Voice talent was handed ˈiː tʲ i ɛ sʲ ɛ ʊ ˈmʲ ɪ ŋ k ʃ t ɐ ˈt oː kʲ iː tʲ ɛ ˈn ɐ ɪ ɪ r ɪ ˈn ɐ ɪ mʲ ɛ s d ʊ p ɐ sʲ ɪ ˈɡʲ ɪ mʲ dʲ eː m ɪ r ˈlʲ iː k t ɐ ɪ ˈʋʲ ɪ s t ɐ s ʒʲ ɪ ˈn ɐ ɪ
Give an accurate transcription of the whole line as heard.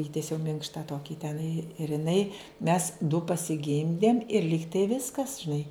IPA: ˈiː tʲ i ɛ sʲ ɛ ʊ ˈmʲ ɪ ŋ k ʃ t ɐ ˈt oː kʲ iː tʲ ɛ ˈn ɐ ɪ ɪ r ɪ ˈn ɐ ɪ mʲ ɛ s d ʊ p ɐ sʲ ɪ ˈɡʲ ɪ mʲ dʲ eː m ɪ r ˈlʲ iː k t ɐ ɪ ˈʋʲ ɪ s k ɐ s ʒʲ ɪ ˈn ɐ ɪ